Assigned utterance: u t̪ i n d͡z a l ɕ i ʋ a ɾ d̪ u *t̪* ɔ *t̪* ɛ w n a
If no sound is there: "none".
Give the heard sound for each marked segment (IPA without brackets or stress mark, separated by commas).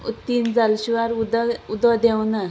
d̪, d̪